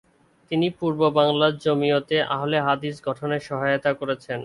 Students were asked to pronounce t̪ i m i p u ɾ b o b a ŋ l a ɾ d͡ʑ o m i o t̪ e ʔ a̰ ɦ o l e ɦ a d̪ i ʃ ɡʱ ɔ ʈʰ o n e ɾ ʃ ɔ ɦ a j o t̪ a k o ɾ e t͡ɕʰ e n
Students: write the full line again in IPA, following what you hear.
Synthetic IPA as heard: t̪ i n i p u ɾ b o b a ŋ l a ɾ d͡ʑ o m i o t̪ e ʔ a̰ ɦ o l e ɦ a d̪ i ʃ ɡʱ ɔ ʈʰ o n e ɾ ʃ ɔ ɦ a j o t̪ a k o ɾ e t͡ɕʰ e n